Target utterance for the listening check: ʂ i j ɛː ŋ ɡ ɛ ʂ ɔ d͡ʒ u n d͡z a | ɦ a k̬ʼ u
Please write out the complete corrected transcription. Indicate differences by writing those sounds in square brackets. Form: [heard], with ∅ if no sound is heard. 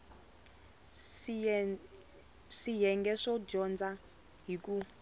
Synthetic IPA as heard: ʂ i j [ɛ] ŋ ɡ ɛ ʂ ɔ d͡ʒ [ɔ] n d͡z a | ɦ [i] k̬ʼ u

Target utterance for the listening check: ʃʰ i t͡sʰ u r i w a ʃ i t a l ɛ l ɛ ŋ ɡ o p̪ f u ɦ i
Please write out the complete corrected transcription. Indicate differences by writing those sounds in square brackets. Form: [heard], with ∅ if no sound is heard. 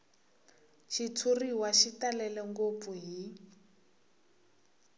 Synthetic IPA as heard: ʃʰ i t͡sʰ u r i w a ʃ i t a l ɛ l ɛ ŋ ɡ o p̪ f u ɦ i

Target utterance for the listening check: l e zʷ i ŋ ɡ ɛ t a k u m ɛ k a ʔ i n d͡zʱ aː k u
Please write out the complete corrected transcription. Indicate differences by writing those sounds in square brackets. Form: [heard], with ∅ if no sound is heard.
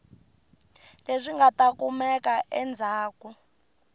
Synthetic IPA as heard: l e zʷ i ŋ ɡ [a] t a k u m ɛ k a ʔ [ɛ] n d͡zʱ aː k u

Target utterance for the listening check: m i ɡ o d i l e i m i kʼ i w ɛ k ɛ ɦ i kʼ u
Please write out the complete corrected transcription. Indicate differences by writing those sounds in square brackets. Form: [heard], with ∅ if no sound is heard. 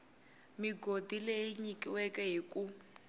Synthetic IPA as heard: m i ɡ o d i l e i [ɲ] i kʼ i w ɛ k ɛ ɦ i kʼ u

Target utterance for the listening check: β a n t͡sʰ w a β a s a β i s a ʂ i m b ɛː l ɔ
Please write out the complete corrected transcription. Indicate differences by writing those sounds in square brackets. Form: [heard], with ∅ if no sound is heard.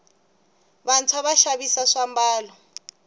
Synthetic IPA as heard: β a n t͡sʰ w a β a [ʃ] a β i s a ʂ [a] m b [aː] l ɔ

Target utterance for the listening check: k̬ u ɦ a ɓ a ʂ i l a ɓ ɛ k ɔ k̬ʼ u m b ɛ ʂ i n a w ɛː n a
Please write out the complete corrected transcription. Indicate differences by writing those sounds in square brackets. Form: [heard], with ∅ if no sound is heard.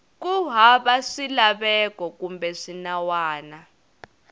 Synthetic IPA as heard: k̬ u ɦ a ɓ a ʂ i l a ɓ ɛ k ɔ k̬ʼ u m b ɛ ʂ i n a w [aː] n a

